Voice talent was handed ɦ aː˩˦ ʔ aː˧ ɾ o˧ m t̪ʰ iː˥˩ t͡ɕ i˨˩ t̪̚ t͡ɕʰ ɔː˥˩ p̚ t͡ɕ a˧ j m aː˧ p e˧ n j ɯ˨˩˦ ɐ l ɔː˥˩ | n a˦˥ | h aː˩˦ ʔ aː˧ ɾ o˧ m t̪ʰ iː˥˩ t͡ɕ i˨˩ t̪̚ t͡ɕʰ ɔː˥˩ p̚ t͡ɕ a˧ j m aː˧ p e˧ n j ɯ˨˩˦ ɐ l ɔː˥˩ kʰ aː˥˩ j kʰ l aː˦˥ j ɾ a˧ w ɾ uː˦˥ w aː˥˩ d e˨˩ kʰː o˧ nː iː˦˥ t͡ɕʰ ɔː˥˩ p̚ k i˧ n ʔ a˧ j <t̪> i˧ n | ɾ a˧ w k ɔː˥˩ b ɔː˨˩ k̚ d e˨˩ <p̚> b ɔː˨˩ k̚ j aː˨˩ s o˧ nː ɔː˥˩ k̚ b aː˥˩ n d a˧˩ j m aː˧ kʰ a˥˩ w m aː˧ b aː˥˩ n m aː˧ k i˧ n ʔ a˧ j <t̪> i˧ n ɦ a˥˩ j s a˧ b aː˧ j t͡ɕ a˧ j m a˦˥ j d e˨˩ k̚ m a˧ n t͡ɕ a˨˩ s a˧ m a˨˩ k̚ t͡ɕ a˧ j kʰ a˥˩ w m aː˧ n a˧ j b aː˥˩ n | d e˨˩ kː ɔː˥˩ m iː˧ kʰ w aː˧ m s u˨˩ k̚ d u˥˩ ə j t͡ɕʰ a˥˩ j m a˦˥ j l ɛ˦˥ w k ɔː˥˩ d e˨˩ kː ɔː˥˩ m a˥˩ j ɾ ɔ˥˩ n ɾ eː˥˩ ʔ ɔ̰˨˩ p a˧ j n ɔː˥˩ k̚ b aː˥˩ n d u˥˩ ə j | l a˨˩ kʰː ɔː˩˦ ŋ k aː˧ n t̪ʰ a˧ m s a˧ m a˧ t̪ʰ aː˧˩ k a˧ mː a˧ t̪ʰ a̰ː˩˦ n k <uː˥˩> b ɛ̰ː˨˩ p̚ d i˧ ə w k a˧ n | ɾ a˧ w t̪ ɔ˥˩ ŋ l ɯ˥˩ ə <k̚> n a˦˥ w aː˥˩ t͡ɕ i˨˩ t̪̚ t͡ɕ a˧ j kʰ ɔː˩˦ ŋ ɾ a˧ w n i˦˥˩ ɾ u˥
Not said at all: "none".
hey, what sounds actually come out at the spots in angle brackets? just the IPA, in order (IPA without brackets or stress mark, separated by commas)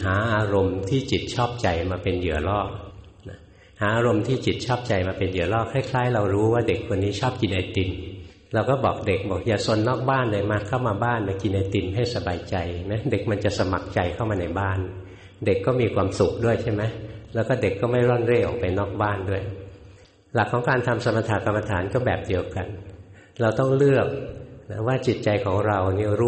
t̪, k̚, t̪, ɔː˥˩, k̚